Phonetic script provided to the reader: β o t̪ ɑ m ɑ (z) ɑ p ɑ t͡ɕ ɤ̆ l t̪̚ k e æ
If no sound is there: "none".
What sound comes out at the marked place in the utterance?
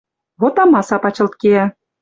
s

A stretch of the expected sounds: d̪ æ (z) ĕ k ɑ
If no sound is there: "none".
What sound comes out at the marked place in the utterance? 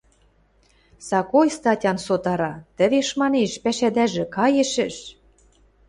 ʒ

